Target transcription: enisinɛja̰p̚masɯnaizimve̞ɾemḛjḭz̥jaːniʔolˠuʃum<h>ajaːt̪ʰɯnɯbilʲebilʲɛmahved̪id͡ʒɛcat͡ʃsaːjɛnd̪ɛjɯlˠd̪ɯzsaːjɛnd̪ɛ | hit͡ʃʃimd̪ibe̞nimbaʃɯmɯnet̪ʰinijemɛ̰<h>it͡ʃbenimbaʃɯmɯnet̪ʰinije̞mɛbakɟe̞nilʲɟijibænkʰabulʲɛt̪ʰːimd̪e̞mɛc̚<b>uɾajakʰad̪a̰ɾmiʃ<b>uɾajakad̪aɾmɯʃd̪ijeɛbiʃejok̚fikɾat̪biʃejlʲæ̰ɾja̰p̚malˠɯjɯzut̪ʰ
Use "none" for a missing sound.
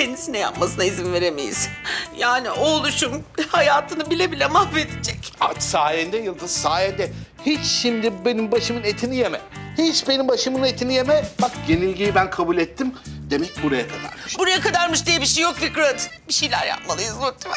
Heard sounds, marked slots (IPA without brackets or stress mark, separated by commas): h, h, b, b